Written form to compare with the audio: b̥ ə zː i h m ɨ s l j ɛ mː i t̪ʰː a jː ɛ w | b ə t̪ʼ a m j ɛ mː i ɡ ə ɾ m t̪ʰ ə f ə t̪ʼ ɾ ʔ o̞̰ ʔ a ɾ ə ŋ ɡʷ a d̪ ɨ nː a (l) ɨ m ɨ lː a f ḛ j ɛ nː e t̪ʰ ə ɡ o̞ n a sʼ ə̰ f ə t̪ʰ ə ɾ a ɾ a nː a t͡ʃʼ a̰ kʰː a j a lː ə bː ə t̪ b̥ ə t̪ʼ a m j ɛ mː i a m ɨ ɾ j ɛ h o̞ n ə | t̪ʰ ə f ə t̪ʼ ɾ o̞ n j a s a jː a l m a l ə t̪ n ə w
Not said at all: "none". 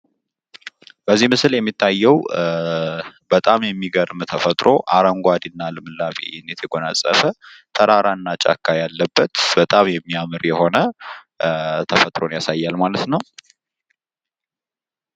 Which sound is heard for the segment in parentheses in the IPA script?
l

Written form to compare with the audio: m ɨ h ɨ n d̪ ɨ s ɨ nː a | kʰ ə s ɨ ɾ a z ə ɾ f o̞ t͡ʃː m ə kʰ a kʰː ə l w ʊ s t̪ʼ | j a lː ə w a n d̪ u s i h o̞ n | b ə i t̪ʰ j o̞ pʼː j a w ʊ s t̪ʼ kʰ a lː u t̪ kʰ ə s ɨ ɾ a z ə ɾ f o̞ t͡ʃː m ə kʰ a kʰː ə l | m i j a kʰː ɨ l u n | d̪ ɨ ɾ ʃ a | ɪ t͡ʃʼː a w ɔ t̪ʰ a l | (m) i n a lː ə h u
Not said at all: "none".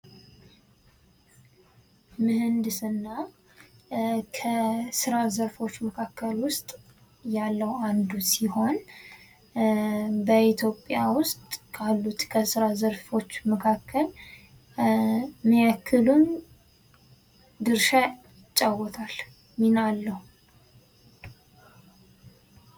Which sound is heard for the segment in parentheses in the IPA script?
m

